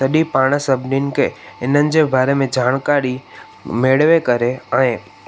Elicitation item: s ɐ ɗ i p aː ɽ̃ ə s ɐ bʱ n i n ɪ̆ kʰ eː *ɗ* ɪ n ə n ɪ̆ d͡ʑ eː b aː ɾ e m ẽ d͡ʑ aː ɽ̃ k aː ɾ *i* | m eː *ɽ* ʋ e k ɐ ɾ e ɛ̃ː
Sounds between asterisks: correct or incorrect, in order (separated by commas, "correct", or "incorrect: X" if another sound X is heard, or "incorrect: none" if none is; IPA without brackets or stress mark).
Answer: incorrect: none, correct, correct